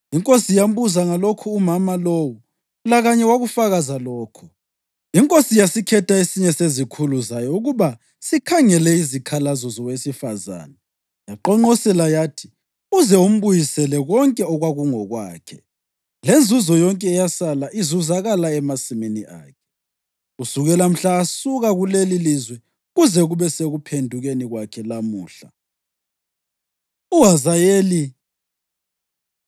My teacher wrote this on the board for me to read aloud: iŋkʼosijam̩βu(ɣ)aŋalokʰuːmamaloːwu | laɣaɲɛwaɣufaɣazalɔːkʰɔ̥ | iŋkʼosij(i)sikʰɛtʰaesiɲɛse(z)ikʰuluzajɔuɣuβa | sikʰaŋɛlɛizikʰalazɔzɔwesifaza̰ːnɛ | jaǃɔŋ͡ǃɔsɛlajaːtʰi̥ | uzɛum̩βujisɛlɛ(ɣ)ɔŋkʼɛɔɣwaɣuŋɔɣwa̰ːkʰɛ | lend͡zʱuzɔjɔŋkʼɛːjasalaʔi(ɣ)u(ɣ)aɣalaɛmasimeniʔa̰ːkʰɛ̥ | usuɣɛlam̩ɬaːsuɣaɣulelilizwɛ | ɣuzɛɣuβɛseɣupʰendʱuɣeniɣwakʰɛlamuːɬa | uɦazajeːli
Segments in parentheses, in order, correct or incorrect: incorrect: z, incorrect: a, correct, correct, incorrect: z, incorrect: z

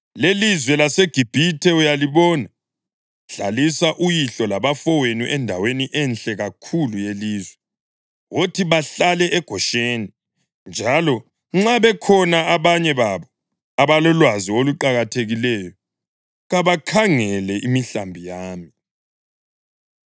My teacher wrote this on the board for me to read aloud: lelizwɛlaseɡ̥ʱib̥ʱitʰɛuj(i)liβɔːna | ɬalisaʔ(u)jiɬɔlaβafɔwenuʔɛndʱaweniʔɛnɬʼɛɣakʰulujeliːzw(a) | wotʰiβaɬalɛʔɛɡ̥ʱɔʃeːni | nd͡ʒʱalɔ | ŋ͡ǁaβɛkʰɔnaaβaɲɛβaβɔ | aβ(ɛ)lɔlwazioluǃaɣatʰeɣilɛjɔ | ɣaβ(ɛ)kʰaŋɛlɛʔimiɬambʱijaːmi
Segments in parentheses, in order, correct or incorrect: incorrect: a, correct, incorrect: ɛ, incorrect: a, incorrect: a

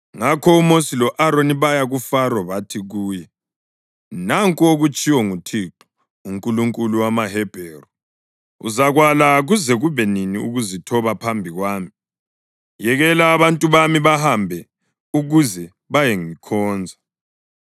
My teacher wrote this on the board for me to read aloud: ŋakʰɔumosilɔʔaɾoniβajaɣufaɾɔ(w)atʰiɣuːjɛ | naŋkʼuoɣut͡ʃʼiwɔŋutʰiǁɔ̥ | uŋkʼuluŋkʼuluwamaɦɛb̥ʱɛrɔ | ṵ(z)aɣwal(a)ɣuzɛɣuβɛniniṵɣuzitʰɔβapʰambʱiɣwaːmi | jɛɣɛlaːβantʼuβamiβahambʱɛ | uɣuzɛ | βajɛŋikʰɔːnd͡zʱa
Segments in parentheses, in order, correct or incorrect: incorrect: β, correct, correct

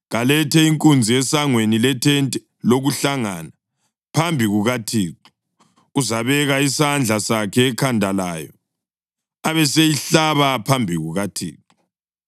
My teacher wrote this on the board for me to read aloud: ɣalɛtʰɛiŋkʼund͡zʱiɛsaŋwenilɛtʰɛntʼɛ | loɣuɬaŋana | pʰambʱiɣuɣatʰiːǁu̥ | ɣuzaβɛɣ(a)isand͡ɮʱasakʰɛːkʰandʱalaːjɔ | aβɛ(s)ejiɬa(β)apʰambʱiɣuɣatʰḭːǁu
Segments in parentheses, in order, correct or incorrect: correct, correct, correct

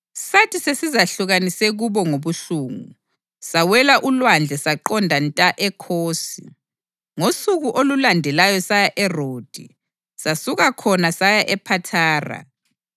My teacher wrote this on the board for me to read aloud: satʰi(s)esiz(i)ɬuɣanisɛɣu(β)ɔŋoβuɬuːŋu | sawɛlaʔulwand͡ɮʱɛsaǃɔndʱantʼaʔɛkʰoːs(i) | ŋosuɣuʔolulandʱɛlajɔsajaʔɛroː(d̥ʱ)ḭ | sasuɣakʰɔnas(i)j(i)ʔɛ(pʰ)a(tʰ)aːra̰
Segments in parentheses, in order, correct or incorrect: correct, incorrect: a, correct, correct, correct, incorrect: a, incorrect: a, correct, correct

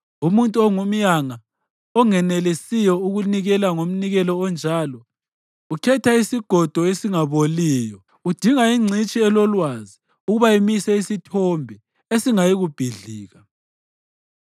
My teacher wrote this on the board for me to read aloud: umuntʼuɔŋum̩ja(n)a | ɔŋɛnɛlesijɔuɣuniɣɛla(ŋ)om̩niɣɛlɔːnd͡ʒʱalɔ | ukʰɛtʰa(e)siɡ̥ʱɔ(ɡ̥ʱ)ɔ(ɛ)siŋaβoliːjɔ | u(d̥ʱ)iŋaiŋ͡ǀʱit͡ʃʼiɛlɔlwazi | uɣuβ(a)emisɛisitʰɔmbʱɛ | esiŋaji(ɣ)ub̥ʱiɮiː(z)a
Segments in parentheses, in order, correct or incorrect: incorrect: ŋ, correct, incorrect: i, incorrect: d̥ʱ, incorrect: e, correct, correct, correct, incorrect: ɣ

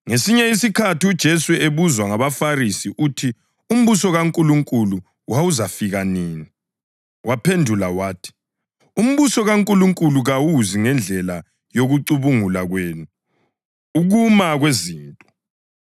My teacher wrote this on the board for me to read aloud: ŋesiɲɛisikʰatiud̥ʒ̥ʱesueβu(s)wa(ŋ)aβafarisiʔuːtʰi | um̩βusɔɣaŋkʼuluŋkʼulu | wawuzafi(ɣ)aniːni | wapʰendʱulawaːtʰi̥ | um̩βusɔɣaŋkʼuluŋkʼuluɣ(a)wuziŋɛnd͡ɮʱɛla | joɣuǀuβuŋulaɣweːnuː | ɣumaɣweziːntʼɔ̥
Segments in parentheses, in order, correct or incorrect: incorrect: z, correct, correct, correct

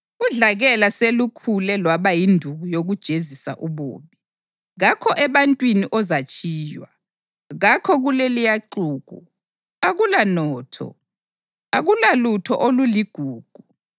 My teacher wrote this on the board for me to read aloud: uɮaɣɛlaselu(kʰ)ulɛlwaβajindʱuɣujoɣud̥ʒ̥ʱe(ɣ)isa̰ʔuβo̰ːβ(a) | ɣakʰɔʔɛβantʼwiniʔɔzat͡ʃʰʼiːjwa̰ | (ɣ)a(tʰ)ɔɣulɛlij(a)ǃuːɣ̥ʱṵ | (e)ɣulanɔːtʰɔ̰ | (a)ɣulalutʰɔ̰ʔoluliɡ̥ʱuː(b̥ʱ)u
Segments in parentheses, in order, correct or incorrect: correct, incorrect: z, incorrect: i, correct, incorrect: kʰ, correct, incorrect: a, correct, incorrect: ɡ̥ʱ

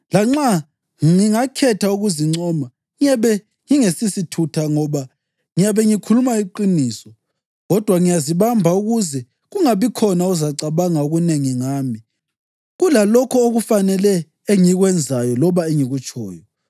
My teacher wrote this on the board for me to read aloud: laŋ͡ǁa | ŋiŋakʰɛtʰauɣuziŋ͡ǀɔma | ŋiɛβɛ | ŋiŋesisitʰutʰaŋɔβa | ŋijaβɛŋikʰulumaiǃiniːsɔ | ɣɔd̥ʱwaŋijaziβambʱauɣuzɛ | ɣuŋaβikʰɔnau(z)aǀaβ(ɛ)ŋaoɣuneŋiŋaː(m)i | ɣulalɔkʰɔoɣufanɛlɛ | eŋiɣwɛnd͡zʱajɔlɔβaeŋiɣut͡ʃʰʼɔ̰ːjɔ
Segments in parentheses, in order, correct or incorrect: correct, incorrect: a, correct

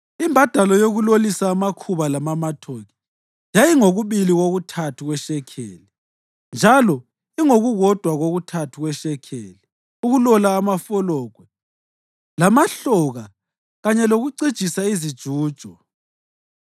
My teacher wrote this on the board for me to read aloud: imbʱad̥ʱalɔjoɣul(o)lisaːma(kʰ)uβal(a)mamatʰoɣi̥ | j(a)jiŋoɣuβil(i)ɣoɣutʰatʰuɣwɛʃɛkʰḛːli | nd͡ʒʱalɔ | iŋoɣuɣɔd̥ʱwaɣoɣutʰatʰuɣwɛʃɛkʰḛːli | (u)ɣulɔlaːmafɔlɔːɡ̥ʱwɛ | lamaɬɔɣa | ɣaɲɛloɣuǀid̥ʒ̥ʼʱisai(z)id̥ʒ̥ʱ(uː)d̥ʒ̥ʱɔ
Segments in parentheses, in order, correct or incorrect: correct, correct, correct, correct, correct, correct, correct, correct

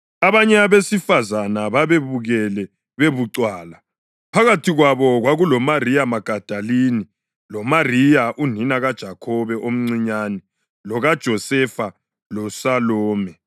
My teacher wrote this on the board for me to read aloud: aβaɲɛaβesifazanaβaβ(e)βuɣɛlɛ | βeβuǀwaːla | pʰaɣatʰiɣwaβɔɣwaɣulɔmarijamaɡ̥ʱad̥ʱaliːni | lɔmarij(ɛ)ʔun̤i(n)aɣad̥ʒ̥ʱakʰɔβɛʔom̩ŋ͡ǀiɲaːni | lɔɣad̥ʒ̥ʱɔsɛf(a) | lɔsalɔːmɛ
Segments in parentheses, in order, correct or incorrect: correct, incorrect: a, correct, correct

